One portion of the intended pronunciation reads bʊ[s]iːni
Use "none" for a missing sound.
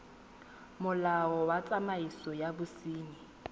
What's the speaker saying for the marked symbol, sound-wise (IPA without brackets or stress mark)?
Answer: s